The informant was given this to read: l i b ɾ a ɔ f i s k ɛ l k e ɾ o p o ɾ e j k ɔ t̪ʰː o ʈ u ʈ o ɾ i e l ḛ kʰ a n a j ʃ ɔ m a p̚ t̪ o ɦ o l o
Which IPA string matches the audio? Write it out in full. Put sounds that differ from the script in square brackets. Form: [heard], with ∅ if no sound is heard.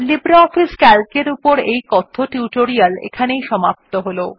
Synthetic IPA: l i b ɾ a ɔ f i s k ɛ l k e ɾ [u] p o ɾ e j k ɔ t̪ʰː o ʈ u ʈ o ɾ i [a] l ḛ kʰ a n [e] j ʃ ɔ m a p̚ t̪ o ɦ o l o